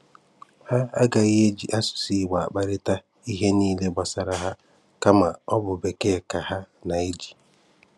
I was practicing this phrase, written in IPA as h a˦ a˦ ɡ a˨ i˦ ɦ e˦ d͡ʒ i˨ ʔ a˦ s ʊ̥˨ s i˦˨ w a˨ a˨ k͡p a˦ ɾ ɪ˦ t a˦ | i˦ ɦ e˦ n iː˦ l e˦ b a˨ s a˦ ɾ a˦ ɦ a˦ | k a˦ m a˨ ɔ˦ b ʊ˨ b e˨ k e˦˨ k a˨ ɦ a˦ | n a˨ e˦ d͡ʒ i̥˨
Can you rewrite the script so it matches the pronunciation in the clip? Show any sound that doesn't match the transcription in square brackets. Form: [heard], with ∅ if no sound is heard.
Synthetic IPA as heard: h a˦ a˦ ɡ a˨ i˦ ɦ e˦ d͡ʒ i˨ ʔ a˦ s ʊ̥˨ s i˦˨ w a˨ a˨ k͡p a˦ ɾ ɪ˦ t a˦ | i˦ ɦ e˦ n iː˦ l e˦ b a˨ s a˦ ɾ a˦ ɦ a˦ | k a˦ m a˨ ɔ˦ b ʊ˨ b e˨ k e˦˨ k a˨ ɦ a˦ | n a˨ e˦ d͡ʒ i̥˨